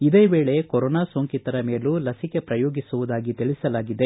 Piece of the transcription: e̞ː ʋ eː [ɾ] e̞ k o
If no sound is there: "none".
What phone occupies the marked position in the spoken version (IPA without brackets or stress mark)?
ɭ